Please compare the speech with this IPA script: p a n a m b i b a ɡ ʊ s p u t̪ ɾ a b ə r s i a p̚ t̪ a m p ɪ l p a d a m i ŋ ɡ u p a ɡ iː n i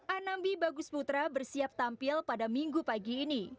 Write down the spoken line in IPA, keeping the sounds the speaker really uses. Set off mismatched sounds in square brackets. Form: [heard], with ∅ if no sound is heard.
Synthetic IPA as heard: [ʔ] a n a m b i b a ɡ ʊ s p u t̪ ɾ a b ə r s i a p̚ t̪ a m p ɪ l p a d a m i ŋ ɡ u p a ɡ iː n i